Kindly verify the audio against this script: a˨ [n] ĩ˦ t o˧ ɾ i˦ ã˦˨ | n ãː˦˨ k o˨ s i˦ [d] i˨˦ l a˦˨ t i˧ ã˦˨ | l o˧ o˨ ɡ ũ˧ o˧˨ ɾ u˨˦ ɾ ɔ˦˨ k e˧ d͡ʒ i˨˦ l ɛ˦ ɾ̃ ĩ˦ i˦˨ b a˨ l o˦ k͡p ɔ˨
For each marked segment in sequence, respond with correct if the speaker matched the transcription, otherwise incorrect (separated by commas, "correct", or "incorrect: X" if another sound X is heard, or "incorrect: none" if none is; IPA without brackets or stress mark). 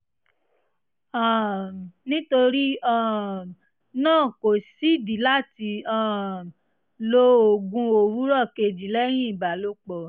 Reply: correct, correct